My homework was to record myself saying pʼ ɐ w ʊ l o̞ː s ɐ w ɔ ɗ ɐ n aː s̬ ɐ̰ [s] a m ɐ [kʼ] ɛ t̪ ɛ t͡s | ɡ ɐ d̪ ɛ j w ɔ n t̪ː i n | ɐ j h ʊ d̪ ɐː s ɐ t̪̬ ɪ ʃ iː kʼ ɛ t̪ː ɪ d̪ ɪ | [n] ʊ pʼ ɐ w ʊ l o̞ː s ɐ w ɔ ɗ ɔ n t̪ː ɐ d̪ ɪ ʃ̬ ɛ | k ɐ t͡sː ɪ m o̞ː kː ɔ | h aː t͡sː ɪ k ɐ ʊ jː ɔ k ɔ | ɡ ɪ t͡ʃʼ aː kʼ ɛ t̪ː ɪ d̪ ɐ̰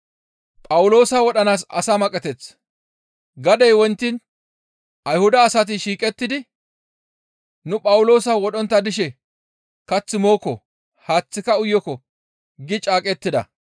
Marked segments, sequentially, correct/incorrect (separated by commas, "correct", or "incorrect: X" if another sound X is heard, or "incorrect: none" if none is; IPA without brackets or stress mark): correct, correct, correct